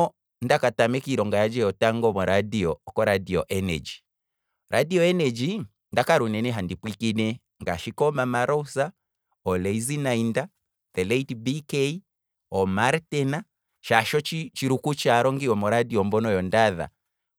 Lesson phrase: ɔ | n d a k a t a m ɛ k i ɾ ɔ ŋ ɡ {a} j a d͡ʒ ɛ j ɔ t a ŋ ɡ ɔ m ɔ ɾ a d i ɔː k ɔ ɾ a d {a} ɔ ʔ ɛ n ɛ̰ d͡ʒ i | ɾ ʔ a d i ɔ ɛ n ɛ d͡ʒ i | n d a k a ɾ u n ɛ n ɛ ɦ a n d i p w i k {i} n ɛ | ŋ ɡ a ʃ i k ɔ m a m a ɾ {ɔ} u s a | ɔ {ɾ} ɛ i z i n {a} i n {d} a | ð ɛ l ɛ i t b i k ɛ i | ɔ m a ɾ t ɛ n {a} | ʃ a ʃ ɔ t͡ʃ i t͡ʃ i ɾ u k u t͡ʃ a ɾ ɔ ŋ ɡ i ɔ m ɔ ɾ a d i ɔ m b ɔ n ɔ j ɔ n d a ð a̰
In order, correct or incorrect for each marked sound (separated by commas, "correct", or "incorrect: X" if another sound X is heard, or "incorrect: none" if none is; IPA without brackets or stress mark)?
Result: correct, incorrect: i, correct, correct, incorrect: l, correct, correct, correct